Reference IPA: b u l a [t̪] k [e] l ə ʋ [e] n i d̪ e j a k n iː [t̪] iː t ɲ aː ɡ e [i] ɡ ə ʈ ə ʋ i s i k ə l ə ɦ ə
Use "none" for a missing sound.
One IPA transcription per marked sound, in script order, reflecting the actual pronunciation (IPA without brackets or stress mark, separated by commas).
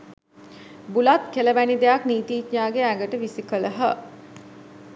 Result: t̪, e, æ, t̪, æ